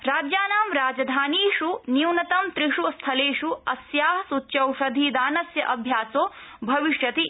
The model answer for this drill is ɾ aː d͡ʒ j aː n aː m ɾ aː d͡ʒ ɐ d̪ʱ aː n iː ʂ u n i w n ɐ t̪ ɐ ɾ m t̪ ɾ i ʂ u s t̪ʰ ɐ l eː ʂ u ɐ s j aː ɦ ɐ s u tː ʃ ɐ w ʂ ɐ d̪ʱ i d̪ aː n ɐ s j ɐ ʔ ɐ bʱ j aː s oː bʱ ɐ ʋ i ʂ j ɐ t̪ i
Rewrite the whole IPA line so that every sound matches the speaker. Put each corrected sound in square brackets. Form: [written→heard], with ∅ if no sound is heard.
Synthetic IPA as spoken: ɾ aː d͡ʒ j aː n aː m ɾ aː d͡ʒ ɐ d̪ʱ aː n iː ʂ u n i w n ɐ t̪ ɐ [ɾ→∅] m t̪ ɾ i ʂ u s t̪ʰ ɐ l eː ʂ u ɐ s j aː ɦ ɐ s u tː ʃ ɐ w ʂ ɐ d̪ʱ i d̪ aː n ɐ s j ɐ ʔ ɐ bʱ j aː s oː bʱ ɐ ʋ i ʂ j ɐ t̪ i